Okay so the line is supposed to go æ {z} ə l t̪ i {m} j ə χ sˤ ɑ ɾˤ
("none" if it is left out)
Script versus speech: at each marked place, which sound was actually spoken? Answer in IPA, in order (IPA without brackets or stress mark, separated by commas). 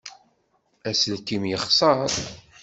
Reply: s, m